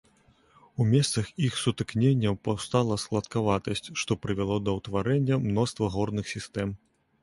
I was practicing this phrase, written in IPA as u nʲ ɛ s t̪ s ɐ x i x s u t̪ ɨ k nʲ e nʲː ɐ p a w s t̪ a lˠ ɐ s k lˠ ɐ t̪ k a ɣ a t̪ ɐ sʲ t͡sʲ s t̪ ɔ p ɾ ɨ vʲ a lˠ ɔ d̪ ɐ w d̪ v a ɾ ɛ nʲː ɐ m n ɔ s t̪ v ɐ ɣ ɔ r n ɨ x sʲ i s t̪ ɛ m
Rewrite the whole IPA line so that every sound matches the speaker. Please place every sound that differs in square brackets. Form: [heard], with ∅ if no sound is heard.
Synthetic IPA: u [mʲ] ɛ s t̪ s ɐ x i x s u t̪ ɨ k nʲ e nʲː ɐ p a w s t̪ a lˠ ɐ s k lˠ ɐ t̪ k a [v] a t̪ ɐ sʲ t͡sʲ [ʂ] t̪ ɔ p ɾ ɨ vʲ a lˠ ɔ d̪ ɐ w [t̪] v a ɾ ɛ nʲː ɐ m n ɔ s t̪ v ɐ ɣ ɔ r n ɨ x sʲ i s t̪ ɛ m

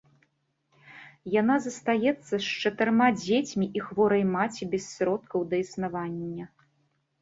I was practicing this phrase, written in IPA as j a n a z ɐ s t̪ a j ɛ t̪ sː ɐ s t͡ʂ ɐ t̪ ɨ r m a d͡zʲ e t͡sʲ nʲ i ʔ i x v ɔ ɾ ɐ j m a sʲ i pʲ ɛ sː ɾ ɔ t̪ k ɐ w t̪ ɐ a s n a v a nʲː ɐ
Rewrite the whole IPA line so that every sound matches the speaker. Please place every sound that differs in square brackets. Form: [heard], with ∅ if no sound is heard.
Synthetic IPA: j a n a z ɐ s t̪ a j ɛ t̪ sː ɐ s t͡ʂ ɐ t̪ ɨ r m a d͡zʲ e t͡sʲ [mʲ] i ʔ i x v ɔ ɾ ɐ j m a [t͡sʲ] i [bʲ] ɛ sː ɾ ɔ t̪ k ɐ w [d̪] ɐ [i] s n a v a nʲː ɐ

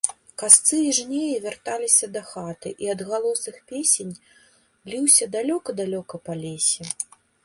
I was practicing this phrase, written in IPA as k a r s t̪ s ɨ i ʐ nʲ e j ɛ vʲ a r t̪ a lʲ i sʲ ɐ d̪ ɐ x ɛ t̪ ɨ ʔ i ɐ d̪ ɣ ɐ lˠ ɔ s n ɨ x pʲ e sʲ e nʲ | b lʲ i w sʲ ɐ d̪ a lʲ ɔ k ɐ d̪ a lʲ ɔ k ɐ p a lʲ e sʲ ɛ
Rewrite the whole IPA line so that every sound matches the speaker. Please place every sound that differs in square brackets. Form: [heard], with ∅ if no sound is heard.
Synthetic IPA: k a [∅] s t̪ s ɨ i ʐ nʲ e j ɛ vʲ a r t̪ a lʲ i sʲ ɐ d̪ ɐ x [a] t̪ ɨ ʔ i ɐ d̪ ɣ [a] lˠ ɔ s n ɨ x pʲ e sʲ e nʲ | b lʲ i w sʲ ɐ d̪ a lʲ ɔ k ɐ d̪ a lʲ ɔ k ɐ p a lʲ e sʲ ɛ

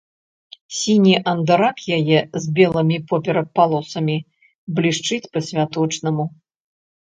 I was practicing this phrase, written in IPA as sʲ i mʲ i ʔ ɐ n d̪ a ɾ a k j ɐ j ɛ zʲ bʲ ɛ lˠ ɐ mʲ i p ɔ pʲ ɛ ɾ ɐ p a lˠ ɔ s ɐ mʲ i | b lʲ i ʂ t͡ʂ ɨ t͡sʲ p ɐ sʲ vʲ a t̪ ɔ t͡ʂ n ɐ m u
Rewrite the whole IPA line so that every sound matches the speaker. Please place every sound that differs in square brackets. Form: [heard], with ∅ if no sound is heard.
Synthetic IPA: sʲ i [nʲ] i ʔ ɐ n d̪ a ɾ a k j [a] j ɛ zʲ bʲ ɛ lˠ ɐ mʲ i p ɔ pʲ ɛ ɾ ɐ p a lˠ ɔ s ɐ mʲ i | b lʲ i ʂ t͡ʂ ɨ t͡sʲ p ɐ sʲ vʲ a t̪ ɔ t͡ʂ n ɐ m u

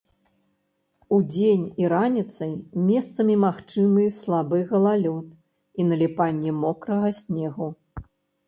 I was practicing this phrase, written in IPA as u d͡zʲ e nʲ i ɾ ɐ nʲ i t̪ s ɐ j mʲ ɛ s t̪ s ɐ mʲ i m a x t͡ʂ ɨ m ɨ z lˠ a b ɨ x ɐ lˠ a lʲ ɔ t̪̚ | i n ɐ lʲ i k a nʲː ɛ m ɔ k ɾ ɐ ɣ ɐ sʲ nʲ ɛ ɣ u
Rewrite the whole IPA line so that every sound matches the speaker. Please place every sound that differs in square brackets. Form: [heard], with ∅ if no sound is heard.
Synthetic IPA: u d͡zʲ e nʲ i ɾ [a] nʲ i t̪ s ɐ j mʲ ɛ s t̪ s ɐ mʲ i m a x t͡ʂ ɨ m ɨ [s] lˠ a b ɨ [ɣ] ɐ lˠ a lʲ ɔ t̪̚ | i n ɐ lʲ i [p] a nʲː ɛ m ɔ k ɾ ɐ ɣ ɐ sʲ nʲ ɛ ɣ u

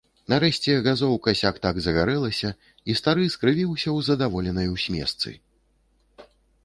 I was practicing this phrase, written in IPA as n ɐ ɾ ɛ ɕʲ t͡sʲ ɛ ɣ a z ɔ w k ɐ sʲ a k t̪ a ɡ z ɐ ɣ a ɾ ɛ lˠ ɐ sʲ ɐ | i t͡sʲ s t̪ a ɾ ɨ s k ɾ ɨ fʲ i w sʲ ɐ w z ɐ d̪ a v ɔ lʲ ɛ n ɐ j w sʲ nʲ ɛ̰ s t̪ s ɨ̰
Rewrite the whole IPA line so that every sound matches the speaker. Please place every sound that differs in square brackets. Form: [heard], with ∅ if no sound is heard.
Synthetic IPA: n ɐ ɾ ɛ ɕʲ t͡sʲ ɛ ɣ a z ɔ w k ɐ sʲ a k t̪ a ɡ z ɐ ɣ a ɾ ɛ lˠ ɐ sʲ ɐ | i [∅] s t̪ a ɾ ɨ s k ɾ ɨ [vʲ] i w sʲ ɐ w z ɐ d̪ a v ɔ lʲ ɛ n ɐ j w sʲ [mʲ] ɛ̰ s t̪ s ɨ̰

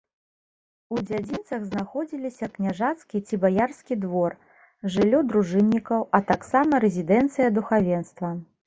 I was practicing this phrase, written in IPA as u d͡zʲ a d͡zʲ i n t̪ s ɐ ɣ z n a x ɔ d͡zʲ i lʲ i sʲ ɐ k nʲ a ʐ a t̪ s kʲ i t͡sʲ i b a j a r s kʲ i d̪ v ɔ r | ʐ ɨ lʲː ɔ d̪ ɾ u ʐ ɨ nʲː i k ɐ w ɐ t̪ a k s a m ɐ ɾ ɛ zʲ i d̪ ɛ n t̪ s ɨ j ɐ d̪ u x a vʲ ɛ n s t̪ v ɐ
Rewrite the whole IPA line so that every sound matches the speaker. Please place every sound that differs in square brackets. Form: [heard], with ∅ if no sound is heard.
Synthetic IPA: u d͡zʲ a d͡zʲ i n t̪ s ɐ ɣ z n a x ɔ d͡zʲ i lʲ i sʲ ɐ k nʲ a ʐ a t̪ s kʲ i t͡sʲ i b a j a r s kʲ i d̪ v ɔ r | ʐ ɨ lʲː ɔ d̪ ɾ u ʐ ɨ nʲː i k ɐ w ɐ t̪ a k s a m ɐ ɾ ɛ zʲ i d̪ ɛ n t̪ s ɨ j ɐ d̪ u x a vʲ ɛ n s t̪ v ɐ

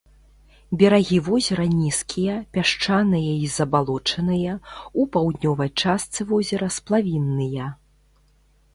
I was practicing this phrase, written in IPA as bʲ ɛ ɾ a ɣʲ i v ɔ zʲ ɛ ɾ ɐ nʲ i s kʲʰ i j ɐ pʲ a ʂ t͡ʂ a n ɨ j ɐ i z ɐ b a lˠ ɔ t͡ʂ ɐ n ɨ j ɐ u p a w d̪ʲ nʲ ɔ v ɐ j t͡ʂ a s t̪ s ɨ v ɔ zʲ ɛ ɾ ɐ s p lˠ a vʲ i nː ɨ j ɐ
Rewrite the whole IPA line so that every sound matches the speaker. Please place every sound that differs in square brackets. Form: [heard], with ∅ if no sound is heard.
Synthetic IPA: bʲ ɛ ɾ a ɣʲ i v ɔ zʲ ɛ ɾ ɐ nʲ i s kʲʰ i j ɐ pʲ a ʂ t͡ʂ a n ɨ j ɐ i z ɐ b a lˠ ɔ t͡ʂ ɐ n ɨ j ɐ u p a w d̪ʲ nʲ ɔ v ɐ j t͡ʂ a s t̪ s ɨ v ɔ zʲ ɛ ɾ ɐ s p lˠ a vʲ i nː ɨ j ɐ

